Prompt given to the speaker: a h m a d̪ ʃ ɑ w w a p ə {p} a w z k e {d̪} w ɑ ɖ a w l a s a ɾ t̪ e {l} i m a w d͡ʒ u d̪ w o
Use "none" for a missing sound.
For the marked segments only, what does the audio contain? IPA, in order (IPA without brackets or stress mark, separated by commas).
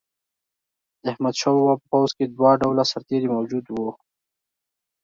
p, d̪, ɾ